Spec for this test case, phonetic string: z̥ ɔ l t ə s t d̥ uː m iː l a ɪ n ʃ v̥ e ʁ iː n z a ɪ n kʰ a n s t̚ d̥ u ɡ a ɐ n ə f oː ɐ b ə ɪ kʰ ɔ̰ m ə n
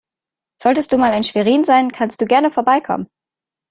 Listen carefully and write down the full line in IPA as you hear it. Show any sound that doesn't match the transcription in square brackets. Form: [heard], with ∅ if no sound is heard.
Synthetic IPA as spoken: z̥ ɔ l t ə s t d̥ uː m [aː] l a ɪ n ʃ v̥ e ʁ iː n z a ɪ n kʰ a n s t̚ d̥ [uː] ɡ [ɛ] ɐ n ə f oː ɐ b [a] ɪ kʰ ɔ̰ m ə n